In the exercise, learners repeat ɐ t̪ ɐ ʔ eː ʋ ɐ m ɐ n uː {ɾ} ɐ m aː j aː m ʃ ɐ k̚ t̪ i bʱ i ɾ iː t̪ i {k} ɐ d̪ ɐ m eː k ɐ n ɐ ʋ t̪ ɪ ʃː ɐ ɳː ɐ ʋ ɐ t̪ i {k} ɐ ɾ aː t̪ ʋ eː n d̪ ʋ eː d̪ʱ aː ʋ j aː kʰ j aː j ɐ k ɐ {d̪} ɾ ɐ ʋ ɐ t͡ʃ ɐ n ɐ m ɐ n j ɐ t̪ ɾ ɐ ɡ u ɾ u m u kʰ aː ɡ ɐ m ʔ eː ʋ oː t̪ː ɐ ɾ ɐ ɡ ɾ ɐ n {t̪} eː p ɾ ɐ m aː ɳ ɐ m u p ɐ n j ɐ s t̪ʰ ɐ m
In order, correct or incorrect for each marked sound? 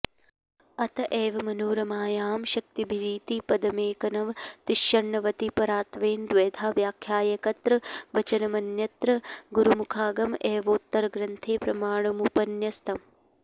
correct, incorrect: p, incorrect: p, incorrect: t̪, incorrect: t̪ʰ

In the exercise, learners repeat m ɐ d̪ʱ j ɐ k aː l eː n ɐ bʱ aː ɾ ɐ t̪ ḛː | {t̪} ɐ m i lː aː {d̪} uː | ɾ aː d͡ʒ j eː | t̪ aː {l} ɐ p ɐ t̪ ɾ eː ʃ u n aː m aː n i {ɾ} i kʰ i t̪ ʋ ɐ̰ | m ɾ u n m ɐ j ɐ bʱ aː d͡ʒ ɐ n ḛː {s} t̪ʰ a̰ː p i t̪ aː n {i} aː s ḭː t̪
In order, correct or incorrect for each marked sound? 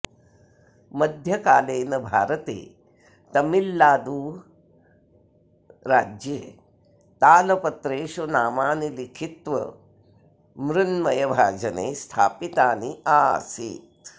correct, correct, correct, incorrect: l, correct, correct

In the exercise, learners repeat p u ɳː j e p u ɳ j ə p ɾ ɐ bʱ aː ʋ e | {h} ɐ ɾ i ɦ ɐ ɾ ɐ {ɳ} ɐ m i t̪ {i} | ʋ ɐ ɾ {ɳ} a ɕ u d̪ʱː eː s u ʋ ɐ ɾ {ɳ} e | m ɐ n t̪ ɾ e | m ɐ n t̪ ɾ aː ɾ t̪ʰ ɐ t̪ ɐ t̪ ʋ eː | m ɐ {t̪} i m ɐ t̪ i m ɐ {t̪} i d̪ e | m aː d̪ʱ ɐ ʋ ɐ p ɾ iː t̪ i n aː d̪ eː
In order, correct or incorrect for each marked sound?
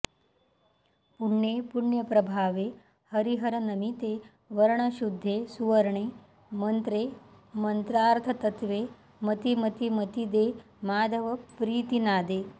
correct, incorrect: n, incorrect: e, correct, correct, correct, correct

